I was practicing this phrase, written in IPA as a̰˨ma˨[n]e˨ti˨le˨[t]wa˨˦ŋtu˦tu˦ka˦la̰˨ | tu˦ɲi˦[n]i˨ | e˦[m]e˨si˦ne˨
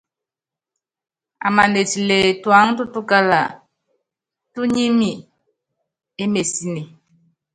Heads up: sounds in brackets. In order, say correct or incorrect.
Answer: correct, correct, incorrect: m, correct

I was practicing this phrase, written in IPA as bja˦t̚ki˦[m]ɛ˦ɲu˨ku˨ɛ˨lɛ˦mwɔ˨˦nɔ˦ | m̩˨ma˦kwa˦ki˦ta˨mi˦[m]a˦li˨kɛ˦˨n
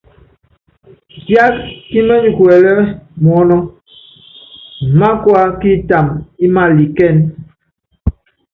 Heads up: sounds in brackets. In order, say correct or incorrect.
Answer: correct, correct

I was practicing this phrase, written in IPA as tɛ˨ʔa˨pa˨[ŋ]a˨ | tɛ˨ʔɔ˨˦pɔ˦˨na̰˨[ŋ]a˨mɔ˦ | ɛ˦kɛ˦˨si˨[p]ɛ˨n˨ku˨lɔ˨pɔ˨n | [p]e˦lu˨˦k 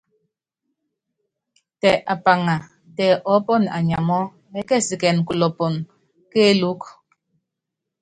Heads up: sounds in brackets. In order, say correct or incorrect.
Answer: correct, incorrect: ɲ, incorrect: k, incorrect: k

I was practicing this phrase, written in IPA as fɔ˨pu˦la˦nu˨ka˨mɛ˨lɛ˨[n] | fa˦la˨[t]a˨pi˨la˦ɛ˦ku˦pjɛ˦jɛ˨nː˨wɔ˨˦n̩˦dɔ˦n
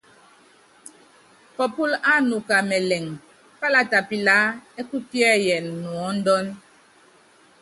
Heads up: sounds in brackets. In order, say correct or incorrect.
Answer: incorrect: ŋ, correct

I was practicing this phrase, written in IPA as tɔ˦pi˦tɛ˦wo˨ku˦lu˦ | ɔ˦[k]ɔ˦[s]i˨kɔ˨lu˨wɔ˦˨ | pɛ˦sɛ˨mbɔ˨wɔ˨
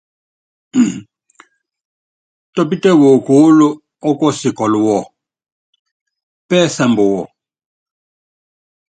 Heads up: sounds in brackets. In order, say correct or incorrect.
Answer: correct, correct

